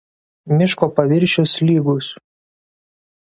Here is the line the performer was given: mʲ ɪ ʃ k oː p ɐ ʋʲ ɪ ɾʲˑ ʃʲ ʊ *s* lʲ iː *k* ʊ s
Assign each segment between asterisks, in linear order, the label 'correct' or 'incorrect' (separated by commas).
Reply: correct, incorrect